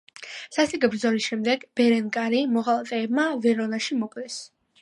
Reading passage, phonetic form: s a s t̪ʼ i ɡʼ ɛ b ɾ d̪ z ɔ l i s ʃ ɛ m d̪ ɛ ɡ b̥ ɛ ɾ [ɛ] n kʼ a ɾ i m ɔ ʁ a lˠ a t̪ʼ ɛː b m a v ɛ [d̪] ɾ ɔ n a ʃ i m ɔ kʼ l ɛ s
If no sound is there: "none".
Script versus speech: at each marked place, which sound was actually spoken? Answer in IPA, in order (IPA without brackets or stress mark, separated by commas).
ɛ, none